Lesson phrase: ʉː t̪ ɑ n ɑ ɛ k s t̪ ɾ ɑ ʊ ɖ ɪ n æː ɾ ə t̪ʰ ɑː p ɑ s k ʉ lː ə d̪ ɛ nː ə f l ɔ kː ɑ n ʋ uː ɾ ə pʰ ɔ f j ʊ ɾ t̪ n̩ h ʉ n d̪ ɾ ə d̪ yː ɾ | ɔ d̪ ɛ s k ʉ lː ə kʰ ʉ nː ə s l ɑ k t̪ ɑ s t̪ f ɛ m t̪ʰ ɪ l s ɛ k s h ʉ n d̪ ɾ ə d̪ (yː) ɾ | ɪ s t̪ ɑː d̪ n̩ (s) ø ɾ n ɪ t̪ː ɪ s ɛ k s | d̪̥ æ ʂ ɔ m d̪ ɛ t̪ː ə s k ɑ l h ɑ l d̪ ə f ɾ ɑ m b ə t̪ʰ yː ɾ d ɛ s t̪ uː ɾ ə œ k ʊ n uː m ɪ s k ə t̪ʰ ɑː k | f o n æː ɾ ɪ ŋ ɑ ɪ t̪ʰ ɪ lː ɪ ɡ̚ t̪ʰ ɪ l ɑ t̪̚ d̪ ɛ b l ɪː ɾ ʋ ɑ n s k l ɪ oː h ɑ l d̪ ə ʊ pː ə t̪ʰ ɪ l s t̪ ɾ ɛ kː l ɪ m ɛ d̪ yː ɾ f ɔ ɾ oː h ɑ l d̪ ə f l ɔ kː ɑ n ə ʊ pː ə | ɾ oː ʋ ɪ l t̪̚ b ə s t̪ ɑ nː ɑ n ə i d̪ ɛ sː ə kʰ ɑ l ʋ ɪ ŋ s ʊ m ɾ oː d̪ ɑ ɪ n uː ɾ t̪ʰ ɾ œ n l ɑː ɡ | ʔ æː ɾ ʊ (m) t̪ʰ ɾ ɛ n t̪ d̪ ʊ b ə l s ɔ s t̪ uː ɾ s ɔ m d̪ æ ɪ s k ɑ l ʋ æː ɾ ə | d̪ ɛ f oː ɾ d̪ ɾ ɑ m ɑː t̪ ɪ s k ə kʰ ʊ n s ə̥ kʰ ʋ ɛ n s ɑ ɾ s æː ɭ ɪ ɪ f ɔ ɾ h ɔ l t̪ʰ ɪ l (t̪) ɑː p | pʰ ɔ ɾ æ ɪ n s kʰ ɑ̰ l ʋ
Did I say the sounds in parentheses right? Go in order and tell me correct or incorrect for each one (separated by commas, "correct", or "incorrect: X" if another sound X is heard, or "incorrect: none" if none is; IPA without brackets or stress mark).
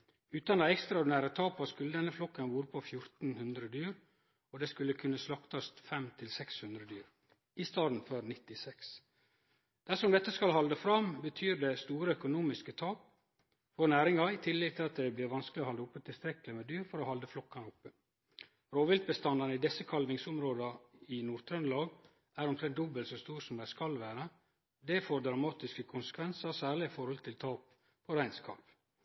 correct, incorrect: f, correct, incorrect: t̪ʰ